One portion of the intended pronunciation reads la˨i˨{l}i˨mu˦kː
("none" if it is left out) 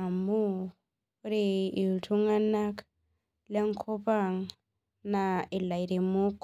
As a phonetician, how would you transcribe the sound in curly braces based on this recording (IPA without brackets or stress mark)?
ɾ